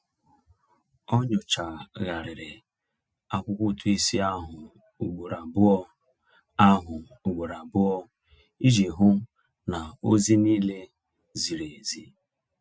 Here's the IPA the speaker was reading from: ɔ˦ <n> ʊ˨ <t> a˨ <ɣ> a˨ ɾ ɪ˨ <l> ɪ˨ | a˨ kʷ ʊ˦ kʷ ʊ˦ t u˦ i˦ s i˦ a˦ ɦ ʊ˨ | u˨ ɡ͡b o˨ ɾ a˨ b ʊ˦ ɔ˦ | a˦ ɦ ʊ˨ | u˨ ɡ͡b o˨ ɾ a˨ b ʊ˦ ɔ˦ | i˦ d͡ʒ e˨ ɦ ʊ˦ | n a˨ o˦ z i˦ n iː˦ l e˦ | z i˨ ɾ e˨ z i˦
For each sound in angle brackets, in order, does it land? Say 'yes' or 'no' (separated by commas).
no, no, yes, no